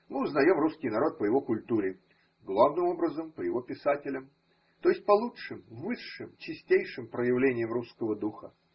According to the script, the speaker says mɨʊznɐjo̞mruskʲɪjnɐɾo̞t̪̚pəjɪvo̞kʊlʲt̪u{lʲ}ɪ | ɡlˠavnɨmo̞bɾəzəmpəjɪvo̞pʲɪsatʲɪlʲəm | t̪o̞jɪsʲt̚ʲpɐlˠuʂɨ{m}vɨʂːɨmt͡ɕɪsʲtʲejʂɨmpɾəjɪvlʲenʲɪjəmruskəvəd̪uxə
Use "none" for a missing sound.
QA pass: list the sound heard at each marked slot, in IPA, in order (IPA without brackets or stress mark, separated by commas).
ɾʲ, m